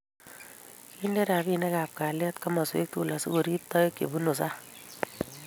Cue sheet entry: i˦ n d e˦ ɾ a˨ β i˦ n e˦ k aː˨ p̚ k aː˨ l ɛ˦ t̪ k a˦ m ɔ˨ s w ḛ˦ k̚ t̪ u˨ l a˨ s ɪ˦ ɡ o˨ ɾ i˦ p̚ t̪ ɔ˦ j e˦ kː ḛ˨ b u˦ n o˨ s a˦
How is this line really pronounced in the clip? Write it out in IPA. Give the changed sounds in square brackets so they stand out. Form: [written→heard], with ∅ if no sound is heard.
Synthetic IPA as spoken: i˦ n d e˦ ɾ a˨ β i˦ n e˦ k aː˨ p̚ k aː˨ l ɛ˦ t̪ k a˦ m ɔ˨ s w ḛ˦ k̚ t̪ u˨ l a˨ s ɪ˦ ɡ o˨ ɾ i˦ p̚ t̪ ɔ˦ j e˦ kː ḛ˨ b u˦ n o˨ s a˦